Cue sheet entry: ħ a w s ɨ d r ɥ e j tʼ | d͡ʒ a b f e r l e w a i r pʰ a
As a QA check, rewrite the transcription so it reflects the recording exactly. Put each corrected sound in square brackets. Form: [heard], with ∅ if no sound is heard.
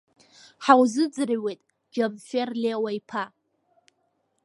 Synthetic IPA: ħ a w [z] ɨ [d͡z] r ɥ e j tʼ | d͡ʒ a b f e r l e w a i [∅] pʰ a